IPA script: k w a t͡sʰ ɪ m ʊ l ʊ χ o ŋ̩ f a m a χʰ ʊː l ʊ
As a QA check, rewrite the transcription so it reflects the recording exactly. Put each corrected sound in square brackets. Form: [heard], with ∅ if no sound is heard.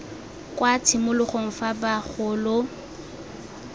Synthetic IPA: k w a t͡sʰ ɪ m ʊ l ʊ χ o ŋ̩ f a [b] a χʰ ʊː l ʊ

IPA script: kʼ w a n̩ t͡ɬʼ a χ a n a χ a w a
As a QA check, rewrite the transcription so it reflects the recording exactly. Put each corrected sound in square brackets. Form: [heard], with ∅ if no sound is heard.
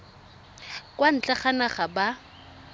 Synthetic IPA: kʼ w a n̩ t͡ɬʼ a χ a n a χ a [b] a

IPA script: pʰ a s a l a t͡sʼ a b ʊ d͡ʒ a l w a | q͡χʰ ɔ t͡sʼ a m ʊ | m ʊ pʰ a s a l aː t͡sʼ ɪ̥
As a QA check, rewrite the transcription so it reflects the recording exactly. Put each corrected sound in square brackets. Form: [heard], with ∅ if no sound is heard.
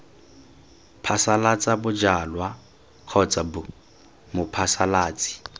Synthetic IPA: pʰ a s a l a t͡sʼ a b ʊ d͡ʒ a l w a | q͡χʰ ɔ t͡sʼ a [b] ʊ | m ʊ pʰ a s a l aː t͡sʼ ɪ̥

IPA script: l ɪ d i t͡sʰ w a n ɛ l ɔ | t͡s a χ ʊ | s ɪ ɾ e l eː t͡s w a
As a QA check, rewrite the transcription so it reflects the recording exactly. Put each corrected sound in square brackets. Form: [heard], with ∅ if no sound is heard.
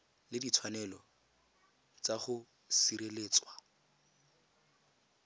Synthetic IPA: l ɪ d i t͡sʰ w a n ɛ l ɔ | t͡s a χ ʊ | s [i] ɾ e l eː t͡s w a

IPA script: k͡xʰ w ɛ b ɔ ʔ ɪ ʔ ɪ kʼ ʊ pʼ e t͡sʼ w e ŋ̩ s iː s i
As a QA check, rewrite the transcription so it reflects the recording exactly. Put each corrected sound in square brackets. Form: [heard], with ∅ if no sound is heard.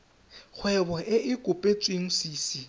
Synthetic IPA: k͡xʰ w ɛ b ɔ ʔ ɪ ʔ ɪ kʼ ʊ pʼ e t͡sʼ w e ŋ̩ s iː s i

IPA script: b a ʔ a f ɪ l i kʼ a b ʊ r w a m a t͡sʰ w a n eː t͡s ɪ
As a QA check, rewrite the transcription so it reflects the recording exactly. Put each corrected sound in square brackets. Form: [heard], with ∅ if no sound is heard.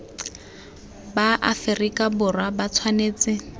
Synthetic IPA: b a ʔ a f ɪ [r] i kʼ a b ʊ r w a [b] a t͡sʰ w a n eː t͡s ɪ

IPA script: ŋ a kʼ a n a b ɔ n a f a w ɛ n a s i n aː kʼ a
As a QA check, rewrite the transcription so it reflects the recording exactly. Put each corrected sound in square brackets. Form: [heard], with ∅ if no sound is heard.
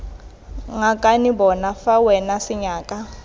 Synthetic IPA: ŋ a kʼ a n [i] b ɔ n a f a w ɛ n a s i [ɲ] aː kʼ a

